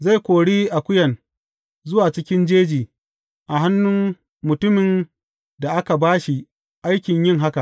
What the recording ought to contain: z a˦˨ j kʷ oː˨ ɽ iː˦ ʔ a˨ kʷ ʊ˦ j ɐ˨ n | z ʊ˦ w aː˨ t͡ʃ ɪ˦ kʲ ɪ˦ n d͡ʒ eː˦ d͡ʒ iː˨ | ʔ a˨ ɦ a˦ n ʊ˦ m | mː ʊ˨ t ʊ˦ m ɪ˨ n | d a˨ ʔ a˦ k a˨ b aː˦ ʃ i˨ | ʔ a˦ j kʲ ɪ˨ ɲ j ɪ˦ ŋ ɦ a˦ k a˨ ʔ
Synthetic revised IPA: z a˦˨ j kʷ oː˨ ɽ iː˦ ʔ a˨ kʷ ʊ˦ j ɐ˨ n | z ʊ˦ w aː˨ t͡ʃ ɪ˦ kʲ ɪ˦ n d͡ʒ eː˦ d͡ʒ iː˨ | ʔ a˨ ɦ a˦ nː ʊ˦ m | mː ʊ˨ t ʊ˦ m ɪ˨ n | d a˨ ʔ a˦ k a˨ b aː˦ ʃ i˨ | ʔ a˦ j kʲ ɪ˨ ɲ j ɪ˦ ŋ ɦ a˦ k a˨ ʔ